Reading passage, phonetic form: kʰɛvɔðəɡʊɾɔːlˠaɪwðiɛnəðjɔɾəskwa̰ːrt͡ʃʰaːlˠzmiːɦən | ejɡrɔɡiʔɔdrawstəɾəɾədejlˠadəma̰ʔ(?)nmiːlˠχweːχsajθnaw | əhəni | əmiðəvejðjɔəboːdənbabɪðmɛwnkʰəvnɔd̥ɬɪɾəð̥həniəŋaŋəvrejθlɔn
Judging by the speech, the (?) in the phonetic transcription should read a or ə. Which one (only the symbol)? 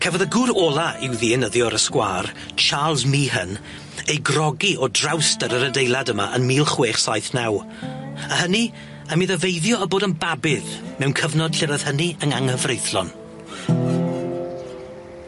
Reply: ə